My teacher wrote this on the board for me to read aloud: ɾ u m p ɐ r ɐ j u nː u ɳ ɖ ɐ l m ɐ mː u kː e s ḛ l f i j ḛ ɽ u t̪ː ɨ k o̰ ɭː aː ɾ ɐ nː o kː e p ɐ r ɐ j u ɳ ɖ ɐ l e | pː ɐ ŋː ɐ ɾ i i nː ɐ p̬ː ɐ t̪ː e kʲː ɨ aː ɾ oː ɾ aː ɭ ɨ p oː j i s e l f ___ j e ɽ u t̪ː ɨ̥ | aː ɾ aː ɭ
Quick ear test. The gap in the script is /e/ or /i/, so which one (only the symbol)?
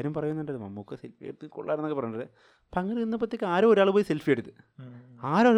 i